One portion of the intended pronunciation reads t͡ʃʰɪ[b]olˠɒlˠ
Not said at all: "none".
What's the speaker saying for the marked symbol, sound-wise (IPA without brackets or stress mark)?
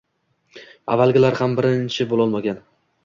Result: b